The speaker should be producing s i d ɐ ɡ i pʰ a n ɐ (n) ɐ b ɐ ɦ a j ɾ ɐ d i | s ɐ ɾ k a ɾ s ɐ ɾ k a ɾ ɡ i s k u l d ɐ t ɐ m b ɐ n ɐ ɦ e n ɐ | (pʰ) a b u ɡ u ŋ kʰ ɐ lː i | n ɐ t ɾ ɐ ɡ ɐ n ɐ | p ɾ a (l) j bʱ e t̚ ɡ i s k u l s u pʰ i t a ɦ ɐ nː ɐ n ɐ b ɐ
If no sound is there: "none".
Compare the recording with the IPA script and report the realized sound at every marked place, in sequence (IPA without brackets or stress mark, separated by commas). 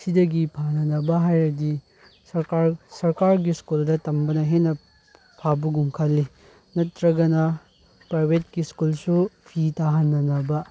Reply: n, pʰ, none